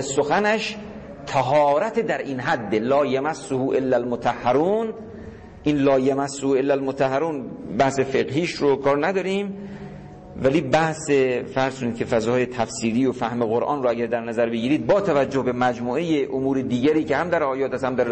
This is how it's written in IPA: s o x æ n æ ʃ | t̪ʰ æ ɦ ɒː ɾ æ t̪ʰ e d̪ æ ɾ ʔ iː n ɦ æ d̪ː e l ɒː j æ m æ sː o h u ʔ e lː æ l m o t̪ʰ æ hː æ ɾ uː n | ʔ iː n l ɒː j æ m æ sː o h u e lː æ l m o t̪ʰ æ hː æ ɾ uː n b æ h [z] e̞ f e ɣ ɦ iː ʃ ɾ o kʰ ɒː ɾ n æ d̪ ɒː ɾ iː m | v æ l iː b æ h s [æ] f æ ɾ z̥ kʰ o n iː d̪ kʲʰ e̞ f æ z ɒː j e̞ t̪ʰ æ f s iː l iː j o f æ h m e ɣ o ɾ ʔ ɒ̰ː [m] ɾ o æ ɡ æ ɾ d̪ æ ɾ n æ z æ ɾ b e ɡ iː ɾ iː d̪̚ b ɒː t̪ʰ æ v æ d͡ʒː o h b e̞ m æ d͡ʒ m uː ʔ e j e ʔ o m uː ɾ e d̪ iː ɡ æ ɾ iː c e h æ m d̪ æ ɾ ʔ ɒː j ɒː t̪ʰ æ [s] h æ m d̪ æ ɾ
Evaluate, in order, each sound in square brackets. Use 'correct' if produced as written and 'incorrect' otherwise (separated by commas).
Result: incorrect, incorrect, incorrect, correct